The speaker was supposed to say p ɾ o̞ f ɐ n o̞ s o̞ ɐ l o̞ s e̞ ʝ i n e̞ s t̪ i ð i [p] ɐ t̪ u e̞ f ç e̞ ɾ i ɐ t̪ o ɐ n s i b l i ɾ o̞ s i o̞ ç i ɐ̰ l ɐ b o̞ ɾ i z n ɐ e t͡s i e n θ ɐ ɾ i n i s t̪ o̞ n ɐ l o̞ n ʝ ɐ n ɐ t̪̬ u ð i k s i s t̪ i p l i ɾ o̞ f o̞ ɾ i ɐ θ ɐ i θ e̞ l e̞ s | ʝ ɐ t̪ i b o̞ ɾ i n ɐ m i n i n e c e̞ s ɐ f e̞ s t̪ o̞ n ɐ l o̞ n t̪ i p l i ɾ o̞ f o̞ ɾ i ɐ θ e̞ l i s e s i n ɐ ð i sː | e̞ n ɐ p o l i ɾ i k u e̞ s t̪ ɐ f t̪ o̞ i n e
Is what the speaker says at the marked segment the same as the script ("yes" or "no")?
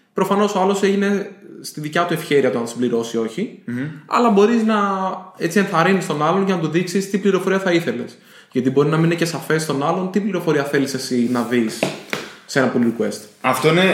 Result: no